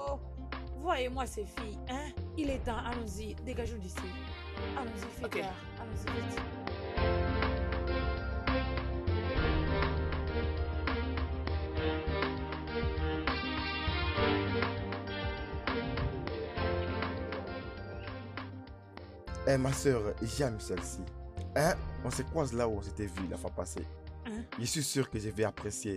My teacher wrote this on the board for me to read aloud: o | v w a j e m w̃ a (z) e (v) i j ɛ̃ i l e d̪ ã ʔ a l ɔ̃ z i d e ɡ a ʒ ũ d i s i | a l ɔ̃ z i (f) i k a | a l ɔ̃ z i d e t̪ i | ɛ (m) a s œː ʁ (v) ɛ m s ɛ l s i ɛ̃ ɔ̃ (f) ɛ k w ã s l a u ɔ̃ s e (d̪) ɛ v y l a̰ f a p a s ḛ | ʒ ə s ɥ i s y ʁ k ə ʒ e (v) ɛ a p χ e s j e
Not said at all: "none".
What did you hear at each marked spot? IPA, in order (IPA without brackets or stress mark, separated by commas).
s, f, f, m, ʒ, s, t̪, v